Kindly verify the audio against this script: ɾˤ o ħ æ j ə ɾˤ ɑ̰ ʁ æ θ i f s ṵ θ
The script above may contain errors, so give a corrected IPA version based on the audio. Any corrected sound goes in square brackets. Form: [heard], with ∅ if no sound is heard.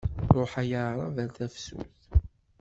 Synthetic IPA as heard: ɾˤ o ħ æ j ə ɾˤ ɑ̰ [v] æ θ [æ] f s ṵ θ